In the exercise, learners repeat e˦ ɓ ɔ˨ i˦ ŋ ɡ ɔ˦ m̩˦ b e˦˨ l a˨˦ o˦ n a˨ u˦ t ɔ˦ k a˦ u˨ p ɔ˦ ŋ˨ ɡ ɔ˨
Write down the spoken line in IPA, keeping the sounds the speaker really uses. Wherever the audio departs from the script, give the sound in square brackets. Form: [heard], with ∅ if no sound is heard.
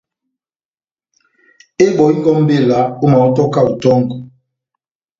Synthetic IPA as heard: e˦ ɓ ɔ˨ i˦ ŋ ɡ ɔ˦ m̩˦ b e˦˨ l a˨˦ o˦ [m] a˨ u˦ t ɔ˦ k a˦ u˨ [t] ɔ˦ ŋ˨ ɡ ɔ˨